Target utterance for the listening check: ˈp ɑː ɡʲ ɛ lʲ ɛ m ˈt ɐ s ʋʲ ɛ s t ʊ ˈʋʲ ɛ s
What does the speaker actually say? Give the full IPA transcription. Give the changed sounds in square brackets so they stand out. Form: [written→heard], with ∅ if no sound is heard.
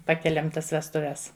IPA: ˈp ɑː [ɡʲ→kʲ] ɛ lʲ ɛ m ˈt ɐ s ʋʲ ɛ s t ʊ ˈʋʲ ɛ s